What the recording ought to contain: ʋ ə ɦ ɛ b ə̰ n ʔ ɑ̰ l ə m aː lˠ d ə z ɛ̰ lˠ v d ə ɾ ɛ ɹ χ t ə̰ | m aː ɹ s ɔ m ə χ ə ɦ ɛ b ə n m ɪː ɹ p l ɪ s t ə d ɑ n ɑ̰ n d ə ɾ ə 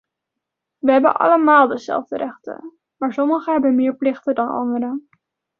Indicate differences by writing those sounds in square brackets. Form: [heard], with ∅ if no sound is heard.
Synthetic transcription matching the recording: ʋ ə ɦ ɛ b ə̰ n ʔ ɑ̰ l ə m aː lˠ d ə z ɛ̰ lˠ v d ə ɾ ɛ [∅] χ t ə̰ | m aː ɹ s ɔ m ə χ ə ɦ ɛ b ə n m ɪː ɹ p l ɪ [χ] t ə d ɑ n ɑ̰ n d ə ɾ ə